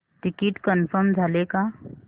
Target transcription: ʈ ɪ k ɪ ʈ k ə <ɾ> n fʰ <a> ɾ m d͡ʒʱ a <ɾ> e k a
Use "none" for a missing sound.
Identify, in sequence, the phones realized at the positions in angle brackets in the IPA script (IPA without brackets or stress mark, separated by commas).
none, ə, l